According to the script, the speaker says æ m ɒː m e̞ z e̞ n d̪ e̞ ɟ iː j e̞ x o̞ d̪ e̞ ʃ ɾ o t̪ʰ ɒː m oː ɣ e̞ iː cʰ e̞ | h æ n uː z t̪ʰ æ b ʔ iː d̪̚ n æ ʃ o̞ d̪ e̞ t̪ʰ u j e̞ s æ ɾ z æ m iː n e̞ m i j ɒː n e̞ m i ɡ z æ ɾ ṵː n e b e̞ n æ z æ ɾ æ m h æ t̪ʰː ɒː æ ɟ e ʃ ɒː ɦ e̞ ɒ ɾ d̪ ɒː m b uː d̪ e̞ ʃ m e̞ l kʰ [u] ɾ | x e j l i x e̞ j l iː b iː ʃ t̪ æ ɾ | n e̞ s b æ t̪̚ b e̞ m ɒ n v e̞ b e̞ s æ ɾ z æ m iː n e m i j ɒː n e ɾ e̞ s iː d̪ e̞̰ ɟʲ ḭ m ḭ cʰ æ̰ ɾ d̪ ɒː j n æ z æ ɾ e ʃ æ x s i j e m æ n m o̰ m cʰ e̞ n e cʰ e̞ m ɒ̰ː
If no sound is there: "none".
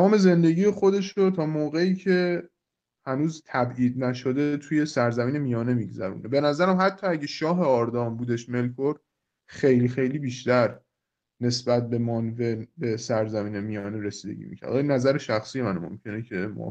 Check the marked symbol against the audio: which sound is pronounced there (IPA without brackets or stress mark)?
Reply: o